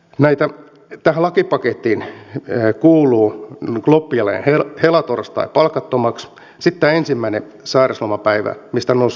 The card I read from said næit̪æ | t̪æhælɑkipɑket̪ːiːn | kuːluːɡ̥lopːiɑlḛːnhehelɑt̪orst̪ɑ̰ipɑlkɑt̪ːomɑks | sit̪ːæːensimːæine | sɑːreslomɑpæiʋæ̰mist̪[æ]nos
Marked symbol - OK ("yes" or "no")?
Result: yes